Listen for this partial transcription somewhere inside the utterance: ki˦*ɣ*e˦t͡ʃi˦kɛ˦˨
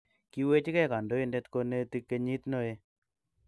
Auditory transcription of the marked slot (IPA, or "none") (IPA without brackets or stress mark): w